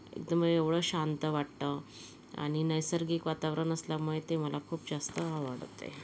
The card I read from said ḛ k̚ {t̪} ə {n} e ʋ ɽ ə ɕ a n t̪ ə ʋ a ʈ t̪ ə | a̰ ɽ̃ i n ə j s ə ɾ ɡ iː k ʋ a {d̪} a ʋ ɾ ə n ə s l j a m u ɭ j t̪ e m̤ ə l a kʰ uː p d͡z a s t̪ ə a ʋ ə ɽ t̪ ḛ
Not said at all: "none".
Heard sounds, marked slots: d̪, m, t̪

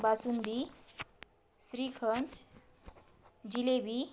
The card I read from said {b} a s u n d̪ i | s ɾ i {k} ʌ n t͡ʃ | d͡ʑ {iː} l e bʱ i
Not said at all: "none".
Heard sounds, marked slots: b, kʰ, i

